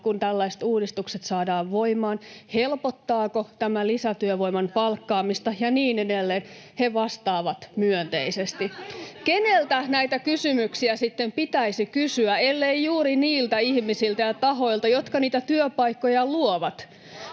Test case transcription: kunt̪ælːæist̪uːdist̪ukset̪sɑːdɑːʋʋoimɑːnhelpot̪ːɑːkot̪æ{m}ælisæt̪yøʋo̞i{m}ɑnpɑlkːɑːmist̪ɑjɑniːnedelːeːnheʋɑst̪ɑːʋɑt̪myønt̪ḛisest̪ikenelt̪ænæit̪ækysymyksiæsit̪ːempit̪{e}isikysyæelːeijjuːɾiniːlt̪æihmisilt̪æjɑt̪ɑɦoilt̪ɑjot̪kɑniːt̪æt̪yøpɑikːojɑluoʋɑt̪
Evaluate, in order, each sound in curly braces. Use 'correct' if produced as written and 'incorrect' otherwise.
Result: correct, correct, incorrect

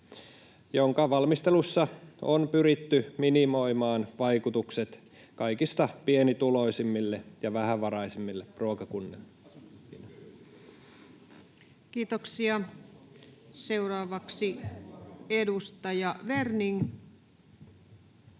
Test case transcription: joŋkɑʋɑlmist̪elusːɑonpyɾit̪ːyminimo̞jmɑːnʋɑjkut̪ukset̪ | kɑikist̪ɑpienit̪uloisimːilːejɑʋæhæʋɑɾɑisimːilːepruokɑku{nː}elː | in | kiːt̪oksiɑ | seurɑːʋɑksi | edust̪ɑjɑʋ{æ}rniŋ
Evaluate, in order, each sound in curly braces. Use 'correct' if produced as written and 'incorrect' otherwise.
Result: correct, incorrect

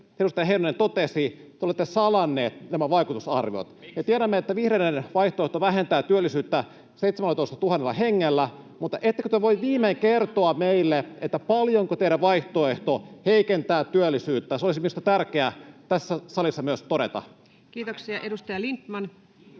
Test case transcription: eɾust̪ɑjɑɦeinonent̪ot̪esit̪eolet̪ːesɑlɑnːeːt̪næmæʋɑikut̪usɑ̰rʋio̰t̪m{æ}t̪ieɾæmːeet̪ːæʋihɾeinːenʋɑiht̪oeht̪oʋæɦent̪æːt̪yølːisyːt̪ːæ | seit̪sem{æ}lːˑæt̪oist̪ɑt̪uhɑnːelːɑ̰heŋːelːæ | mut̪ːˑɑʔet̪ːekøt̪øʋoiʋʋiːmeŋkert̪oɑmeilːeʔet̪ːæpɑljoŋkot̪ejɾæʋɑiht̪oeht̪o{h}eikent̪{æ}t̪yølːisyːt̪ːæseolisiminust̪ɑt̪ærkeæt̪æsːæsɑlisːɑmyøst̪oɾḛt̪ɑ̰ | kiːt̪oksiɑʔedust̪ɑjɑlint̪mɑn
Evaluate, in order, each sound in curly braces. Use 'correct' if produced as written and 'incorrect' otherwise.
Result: incorrect, correct, correct, incorrect

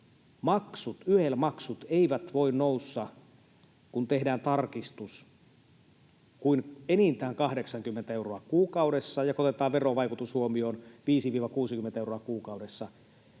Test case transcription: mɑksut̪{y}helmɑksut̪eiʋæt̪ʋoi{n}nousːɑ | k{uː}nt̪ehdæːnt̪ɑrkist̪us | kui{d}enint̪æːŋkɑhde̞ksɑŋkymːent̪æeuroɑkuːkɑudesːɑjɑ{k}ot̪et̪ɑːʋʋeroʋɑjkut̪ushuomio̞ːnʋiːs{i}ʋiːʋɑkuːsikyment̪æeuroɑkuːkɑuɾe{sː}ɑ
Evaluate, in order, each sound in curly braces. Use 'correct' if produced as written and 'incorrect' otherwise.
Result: correct, correct, incorrect, incorrect, correct, correct, correct

